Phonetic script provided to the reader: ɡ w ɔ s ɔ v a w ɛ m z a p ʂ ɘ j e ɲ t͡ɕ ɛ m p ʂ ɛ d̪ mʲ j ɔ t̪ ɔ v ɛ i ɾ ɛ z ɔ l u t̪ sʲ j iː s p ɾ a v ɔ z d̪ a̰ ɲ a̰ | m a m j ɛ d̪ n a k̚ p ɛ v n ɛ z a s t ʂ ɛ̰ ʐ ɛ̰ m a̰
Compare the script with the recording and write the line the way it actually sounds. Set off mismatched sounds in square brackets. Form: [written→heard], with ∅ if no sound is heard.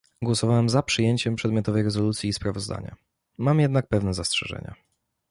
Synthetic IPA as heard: ɡ w ɔ s ɔ v a w ɛ m z a p ʂ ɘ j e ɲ t͡ɕ ɛ m p ʂ ɛ d̪ mʲ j ɔ t̪ ɔ v ɛ [i→j] ɾ ɛ z ɔ l u t̪ sʲ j iː s p ɾ a v ɔ z d̪ a̰ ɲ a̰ | m a m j ɛ d̪ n a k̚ p ɛ v n ɛ z a s t ʂ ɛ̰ ʐ ɛ̰ [m→ɲ] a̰